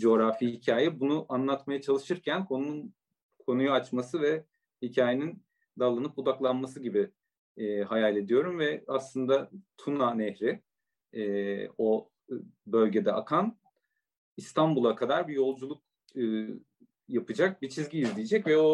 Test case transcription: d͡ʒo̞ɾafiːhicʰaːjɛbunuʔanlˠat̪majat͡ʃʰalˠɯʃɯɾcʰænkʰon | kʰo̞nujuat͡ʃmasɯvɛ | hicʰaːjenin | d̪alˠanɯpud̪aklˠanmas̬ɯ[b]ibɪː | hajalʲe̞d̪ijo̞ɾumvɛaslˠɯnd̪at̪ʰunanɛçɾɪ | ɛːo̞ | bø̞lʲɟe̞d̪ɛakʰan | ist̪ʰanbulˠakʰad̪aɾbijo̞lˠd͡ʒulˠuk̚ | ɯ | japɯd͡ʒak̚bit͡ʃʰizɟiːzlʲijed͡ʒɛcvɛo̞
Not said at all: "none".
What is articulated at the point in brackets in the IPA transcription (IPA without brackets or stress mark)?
ɟ